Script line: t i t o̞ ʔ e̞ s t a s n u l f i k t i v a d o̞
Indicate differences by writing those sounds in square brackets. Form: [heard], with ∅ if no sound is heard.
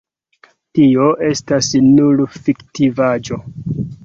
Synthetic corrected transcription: t i [∅] o̞ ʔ e̞ s t a s n u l f i k t i v a [d͡ʒ] o̞